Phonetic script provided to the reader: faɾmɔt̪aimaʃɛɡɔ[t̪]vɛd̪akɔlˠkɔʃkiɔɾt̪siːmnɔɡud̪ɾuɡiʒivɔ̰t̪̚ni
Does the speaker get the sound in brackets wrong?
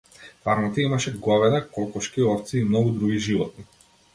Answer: yes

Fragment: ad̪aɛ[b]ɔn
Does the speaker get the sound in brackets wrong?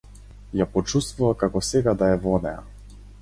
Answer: yes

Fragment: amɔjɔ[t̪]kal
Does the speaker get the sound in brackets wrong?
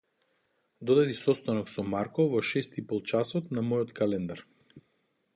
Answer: no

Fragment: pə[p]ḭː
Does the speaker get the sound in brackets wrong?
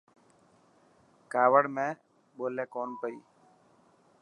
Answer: yes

